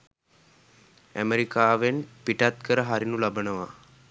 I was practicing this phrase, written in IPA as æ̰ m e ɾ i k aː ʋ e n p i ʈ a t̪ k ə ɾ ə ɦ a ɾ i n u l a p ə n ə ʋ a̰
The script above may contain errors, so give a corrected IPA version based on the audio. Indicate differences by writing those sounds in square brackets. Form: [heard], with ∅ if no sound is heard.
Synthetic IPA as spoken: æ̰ m e ɾ i k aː ʋ e n p i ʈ a t̪ k ə ɾ ə ɦ a ɾ i n u l a [b] ə n ə ʋ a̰